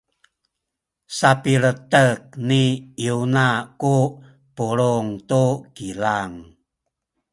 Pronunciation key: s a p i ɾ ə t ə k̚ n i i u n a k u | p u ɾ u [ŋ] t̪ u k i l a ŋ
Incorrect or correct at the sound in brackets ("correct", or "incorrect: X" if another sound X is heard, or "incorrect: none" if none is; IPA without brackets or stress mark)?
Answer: correct